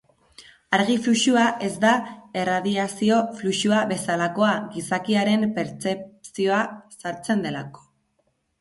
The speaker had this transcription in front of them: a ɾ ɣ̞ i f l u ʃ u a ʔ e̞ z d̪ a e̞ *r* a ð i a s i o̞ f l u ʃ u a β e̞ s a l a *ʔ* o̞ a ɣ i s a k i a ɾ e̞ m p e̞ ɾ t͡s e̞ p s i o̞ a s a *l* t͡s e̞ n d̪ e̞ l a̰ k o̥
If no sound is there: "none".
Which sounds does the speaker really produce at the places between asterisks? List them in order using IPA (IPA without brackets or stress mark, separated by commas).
r, k, ɾ